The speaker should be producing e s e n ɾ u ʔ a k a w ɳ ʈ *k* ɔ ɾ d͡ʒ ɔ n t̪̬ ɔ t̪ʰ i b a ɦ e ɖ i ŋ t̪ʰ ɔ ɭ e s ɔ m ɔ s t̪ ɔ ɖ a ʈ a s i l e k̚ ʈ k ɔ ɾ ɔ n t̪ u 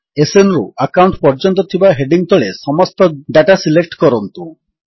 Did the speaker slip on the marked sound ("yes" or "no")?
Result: yes